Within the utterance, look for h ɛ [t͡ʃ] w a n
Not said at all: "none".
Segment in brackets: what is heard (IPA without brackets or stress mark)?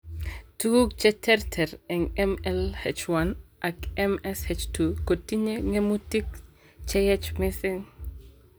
t͡ʃ